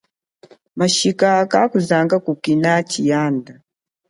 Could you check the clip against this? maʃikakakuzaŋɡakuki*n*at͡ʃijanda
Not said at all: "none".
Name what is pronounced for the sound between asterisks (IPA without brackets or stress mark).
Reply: n